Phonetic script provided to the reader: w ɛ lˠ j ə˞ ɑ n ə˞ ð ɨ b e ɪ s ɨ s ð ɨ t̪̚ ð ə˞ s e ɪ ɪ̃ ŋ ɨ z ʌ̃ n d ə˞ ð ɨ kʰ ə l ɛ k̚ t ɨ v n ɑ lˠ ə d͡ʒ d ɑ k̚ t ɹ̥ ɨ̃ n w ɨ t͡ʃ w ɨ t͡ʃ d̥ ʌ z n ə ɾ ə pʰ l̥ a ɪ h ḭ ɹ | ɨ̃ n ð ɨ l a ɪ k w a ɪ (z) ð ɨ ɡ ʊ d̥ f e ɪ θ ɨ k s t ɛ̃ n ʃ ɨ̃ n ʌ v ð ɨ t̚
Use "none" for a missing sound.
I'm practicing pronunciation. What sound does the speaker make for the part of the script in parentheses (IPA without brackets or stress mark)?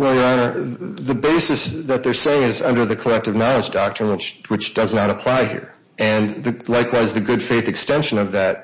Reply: z